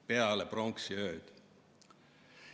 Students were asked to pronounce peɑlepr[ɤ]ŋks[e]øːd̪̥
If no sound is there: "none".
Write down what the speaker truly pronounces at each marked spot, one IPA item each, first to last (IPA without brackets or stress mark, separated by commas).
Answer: o, i